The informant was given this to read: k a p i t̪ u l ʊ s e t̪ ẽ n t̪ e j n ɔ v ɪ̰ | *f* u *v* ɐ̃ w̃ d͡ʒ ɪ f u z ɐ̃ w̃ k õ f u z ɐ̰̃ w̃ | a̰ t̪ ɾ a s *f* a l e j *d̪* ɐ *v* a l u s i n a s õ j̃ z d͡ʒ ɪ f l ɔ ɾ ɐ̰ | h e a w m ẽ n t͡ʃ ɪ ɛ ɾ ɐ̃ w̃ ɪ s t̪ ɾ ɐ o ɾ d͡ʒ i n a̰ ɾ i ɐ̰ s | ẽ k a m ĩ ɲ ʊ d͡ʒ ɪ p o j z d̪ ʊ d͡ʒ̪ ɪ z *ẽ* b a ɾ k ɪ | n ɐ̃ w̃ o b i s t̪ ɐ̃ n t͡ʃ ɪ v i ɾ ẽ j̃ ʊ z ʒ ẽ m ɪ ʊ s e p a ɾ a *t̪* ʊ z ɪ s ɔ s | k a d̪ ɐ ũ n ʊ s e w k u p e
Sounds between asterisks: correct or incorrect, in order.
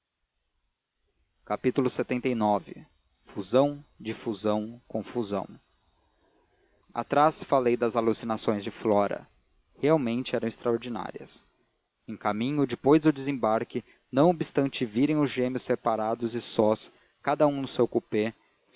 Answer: correct, incorrect, correct, correct, incorrect, correct, incorrect

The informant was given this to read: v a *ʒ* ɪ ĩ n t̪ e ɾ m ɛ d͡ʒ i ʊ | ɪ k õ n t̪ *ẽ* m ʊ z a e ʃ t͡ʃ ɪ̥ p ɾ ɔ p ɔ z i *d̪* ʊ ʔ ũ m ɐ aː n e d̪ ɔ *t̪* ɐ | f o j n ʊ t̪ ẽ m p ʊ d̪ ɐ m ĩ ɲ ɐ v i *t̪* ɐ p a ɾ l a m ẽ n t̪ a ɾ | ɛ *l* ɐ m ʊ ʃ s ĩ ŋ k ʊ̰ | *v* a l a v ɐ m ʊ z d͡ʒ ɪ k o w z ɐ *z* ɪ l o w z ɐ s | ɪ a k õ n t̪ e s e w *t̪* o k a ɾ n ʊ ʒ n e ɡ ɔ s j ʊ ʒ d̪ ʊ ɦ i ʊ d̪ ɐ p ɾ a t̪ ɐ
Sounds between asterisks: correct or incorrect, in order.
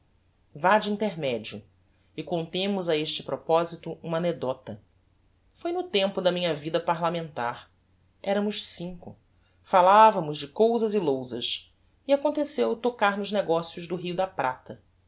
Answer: incorrect, correct, incorrect, correct, incorrect, incorrect, incorrect, correct, correct

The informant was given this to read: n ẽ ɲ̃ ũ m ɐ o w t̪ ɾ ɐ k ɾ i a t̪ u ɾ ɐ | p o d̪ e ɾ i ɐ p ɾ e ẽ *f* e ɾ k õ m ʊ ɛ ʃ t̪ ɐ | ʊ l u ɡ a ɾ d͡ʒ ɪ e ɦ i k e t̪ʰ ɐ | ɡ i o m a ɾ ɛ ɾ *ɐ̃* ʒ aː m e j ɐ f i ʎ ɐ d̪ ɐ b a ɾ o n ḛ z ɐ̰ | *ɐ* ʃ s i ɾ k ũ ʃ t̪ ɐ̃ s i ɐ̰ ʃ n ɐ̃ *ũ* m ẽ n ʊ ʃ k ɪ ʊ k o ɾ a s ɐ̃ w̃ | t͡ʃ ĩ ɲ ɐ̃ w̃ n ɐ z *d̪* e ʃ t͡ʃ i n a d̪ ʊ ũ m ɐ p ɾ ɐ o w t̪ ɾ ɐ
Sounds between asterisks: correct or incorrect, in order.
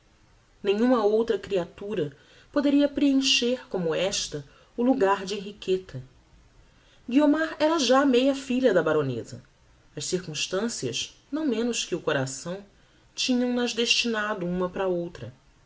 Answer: incorrect, incorrect, correct, incorrect, correct

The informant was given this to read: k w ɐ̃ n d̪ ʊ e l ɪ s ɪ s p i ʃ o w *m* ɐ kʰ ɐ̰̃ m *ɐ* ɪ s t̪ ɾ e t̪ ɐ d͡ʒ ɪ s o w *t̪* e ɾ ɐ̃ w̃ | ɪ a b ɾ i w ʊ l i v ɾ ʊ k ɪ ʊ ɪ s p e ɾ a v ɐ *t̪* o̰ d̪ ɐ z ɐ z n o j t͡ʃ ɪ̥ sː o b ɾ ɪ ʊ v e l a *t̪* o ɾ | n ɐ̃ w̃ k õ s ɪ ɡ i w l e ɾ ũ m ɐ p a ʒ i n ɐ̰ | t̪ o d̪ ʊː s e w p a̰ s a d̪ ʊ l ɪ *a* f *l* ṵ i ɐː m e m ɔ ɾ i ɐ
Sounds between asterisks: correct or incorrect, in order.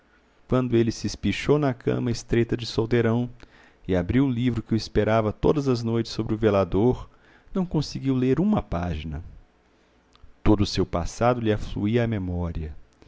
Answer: incorrect, correct, incorrect, correct, incorrect, correct, correct

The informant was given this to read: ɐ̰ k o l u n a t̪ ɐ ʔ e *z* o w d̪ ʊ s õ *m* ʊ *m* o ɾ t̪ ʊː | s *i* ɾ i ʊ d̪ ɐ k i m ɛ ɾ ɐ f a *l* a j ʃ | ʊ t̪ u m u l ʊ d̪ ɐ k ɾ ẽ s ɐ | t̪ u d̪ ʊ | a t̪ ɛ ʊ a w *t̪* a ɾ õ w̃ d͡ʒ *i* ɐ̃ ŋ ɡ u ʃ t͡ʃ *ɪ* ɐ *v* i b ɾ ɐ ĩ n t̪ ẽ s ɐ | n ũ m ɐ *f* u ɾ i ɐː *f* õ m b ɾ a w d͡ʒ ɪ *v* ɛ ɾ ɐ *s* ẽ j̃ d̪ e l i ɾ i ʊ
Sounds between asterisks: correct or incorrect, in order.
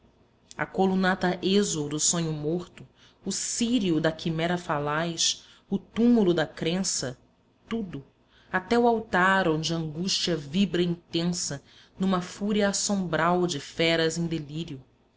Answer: correct, incorrect, correct, correct, correct, correct, incorrect, incorrect, correct, correct, incorrect, incorrect, incorrect

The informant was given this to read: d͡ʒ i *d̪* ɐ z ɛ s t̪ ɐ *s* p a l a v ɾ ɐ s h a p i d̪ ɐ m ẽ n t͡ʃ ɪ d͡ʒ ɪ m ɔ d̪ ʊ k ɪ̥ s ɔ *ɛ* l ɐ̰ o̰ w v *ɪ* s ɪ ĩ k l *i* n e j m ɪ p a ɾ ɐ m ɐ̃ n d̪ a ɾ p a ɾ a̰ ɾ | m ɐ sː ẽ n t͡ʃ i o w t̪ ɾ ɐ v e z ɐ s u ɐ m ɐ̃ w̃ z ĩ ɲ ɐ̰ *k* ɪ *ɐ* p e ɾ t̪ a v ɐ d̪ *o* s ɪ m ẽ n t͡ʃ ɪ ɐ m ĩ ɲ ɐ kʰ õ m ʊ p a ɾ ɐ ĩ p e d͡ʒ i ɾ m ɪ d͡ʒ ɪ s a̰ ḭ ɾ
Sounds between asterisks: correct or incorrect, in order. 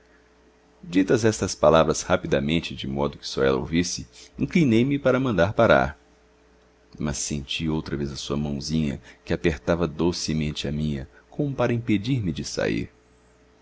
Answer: incorrect, correct, correct, incorrect, correct, correct, incorrect, correct

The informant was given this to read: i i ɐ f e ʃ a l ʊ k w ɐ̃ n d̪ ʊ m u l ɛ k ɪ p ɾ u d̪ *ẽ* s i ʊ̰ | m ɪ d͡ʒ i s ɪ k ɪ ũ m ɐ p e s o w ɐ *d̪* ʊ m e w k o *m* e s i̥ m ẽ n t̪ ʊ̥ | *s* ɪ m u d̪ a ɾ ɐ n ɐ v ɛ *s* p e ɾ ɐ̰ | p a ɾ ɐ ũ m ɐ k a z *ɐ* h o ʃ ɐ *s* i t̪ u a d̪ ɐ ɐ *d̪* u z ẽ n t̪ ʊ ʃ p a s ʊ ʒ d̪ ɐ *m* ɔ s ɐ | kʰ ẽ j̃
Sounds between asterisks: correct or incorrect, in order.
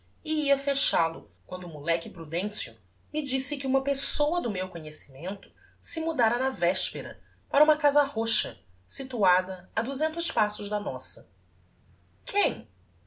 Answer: correct, correct, incorrect, correct, incorrect, correct, correct, correct, incorrect

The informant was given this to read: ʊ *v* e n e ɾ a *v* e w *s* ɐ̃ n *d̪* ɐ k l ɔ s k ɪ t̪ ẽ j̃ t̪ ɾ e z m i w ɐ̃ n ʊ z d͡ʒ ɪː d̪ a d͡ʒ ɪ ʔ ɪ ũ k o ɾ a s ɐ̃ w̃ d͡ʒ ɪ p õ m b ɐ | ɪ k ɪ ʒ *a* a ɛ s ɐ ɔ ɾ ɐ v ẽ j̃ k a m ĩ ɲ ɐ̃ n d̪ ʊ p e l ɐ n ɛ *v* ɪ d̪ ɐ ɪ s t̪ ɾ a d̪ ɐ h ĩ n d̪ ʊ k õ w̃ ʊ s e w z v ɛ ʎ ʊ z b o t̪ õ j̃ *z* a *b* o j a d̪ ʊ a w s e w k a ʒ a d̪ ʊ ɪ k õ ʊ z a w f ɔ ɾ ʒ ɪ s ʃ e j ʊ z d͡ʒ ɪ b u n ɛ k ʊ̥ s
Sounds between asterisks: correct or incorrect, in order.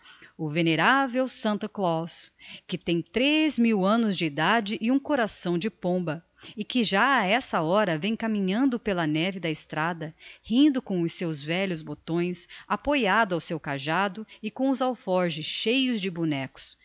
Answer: correct, correct, correct, incorrect, correct, correct, incorrect, incorrect

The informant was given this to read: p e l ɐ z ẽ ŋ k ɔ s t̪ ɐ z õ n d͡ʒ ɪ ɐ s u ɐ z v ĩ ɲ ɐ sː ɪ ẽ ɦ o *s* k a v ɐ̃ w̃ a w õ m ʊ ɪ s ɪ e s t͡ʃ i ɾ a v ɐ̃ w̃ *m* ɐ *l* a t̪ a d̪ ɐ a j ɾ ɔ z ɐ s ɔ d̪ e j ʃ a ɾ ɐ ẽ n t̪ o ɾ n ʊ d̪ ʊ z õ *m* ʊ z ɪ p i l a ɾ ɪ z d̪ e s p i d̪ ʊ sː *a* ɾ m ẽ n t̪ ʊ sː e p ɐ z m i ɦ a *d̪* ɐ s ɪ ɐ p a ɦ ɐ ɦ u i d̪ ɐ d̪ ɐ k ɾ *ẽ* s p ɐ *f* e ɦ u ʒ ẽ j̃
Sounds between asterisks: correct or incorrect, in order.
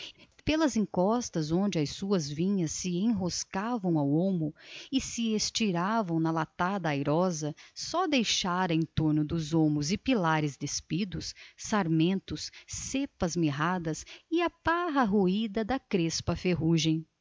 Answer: correct, incorrect, correct, correct, correct, correct, incorrect, correct

